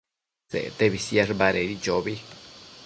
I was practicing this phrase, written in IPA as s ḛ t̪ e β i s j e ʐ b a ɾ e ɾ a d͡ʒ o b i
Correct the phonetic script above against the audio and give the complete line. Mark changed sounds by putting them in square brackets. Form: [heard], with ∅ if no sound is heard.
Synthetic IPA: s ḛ t̪ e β i s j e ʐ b a ɾ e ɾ [i] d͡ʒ o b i

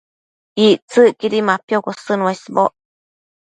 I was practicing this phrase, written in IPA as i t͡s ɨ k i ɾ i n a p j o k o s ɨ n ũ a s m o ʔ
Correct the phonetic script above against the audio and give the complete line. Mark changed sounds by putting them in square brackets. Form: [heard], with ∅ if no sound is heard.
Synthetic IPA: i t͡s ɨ k i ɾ i [m] a p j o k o s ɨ n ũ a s [b] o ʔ

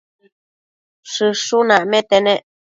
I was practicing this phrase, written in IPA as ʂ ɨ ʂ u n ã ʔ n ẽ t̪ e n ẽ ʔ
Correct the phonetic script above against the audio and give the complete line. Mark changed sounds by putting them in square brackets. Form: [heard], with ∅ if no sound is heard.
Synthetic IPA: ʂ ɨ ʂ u n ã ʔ [m] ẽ t̪ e n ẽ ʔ

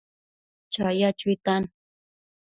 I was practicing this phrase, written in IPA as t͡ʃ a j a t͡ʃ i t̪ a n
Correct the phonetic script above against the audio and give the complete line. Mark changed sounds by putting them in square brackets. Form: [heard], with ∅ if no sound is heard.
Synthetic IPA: t͡ʃ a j a t͡ʃ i t̪ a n

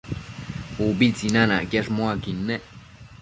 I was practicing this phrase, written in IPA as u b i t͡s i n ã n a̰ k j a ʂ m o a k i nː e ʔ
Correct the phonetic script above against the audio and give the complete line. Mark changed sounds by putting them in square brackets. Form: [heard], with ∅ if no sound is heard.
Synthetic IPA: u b i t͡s i n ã n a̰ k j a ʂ m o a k i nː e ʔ

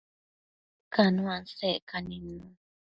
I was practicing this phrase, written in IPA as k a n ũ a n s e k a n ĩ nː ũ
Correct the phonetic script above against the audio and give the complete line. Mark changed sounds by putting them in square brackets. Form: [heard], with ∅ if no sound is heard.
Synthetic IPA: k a n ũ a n s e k a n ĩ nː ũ

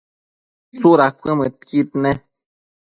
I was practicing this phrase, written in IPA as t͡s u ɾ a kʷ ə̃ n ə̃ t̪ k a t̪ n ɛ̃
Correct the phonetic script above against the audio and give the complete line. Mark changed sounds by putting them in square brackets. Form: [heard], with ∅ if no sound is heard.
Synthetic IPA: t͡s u ɾ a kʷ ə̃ [m] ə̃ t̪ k [i] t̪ n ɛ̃

